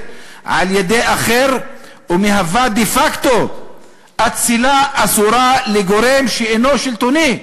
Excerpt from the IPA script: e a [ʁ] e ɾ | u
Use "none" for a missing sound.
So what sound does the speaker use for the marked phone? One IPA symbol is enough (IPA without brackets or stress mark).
χ